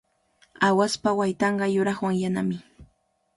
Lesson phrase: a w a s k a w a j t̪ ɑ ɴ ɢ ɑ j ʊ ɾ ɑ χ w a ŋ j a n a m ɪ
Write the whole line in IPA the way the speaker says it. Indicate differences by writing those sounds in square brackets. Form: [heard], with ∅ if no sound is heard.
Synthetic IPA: a w a s [p] a w a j t̪ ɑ ɴ ɢ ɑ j ʊ ɾ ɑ χ w a ŋ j a n a m ɪ